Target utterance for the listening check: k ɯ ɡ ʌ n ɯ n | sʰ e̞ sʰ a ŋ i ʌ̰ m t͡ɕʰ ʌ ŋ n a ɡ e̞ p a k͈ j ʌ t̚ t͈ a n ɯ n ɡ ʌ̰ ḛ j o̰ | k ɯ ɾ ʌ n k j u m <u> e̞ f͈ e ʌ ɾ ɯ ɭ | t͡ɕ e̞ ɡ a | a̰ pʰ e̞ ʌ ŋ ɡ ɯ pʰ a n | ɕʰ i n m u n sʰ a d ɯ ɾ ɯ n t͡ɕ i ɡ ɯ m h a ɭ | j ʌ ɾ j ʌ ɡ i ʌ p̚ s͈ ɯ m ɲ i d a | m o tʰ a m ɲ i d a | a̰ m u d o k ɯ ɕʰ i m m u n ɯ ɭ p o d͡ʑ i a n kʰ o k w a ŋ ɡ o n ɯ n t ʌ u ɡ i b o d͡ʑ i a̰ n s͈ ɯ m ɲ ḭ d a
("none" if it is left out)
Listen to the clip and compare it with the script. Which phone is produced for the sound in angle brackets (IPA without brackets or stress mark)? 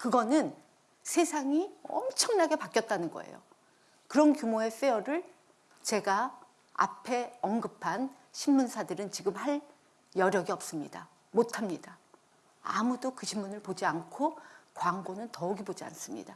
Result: o